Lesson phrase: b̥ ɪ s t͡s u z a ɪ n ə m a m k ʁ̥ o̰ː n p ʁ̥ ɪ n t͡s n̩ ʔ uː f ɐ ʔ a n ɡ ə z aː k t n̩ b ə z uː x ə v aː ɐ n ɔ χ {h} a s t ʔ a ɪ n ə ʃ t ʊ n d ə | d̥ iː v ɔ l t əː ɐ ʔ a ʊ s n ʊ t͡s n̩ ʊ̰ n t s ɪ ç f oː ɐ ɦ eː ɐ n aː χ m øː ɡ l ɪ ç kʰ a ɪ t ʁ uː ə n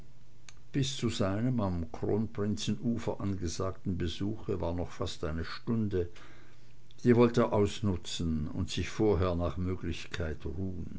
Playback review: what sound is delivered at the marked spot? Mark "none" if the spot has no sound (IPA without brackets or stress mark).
f